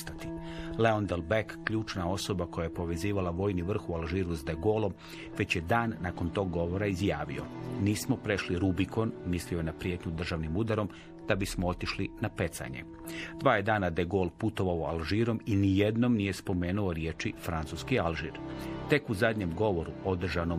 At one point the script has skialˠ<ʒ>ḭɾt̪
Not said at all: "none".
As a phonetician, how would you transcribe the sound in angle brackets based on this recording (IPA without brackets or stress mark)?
ʒ